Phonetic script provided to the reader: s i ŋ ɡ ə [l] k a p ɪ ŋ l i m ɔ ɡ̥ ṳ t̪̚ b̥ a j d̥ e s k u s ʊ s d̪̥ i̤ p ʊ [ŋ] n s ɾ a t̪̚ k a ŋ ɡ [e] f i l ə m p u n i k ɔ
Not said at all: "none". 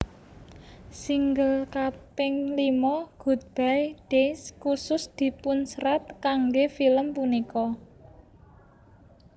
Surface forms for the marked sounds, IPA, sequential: l, none, e

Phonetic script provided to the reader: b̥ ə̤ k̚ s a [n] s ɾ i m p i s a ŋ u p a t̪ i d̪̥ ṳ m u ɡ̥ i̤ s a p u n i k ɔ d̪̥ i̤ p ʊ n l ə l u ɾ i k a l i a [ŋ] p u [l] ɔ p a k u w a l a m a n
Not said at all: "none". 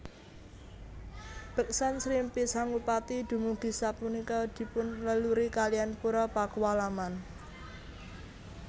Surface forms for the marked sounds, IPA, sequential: n, n, ɾ

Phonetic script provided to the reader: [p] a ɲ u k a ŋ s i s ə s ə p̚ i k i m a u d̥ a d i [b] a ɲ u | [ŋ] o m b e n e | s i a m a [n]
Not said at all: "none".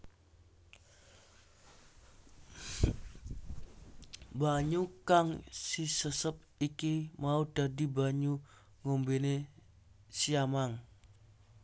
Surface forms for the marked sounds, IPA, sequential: b, b, ŋ, ŋ

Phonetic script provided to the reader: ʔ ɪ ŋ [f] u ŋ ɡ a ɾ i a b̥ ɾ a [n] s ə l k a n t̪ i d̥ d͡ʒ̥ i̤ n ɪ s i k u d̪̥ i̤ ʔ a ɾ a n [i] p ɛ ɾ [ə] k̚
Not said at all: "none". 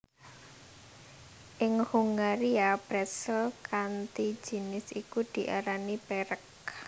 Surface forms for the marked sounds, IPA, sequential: h, none, i, ə

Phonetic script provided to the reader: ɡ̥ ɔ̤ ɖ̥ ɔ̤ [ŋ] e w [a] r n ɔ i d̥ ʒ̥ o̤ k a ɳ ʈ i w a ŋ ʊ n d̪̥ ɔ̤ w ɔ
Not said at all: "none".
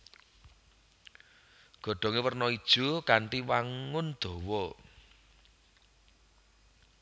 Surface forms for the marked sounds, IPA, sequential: ŋ, ə

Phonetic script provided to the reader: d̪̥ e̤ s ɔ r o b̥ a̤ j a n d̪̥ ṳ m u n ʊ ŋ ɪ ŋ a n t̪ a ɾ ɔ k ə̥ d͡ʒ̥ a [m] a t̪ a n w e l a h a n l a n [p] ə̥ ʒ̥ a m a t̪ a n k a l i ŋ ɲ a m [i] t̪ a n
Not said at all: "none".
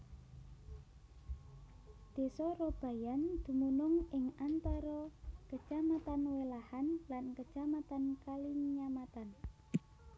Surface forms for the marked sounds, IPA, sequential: m, k, a

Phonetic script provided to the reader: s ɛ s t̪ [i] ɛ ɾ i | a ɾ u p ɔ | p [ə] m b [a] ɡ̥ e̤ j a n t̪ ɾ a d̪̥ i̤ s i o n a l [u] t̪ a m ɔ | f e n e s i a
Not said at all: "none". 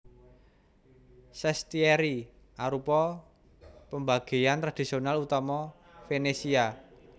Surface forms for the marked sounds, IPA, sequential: i, ə, a, u

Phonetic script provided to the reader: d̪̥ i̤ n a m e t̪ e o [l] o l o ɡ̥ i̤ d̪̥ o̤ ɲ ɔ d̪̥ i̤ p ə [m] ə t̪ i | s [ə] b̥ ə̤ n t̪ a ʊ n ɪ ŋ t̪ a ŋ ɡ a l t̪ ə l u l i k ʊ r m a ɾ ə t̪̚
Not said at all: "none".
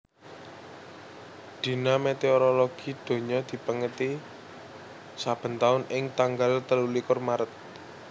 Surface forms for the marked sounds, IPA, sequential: ɾ, ŋ, a

